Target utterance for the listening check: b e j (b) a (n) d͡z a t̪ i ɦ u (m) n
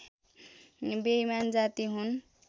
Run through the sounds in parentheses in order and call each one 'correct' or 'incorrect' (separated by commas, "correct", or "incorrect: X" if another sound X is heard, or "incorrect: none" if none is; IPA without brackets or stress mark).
incorrect: m, correct, incorrect: none